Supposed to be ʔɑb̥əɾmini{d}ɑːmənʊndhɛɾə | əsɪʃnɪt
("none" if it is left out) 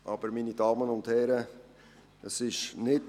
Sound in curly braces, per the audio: d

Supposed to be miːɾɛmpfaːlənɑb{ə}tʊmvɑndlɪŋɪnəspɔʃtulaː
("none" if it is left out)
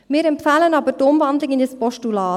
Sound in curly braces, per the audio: ə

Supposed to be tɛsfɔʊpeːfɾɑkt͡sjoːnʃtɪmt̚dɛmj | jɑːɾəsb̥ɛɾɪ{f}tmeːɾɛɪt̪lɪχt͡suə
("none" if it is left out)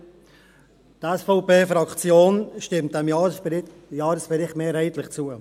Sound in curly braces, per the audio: χ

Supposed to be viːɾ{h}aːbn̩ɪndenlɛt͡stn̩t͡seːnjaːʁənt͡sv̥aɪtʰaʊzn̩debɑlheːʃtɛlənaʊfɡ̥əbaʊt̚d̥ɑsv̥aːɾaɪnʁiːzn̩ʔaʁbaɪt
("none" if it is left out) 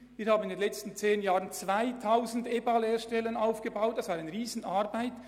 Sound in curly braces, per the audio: h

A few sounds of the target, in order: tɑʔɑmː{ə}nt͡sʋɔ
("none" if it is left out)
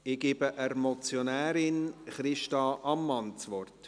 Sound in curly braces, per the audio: ɑ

